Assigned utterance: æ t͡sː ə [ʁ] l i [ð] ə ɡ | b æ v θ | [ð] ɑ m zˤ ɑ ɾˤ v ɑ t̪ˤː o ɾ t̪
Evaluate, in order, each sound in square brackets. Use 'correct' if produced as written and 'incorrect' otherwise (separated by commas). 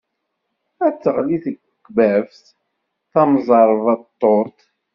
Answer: correct, incorrect, incorrect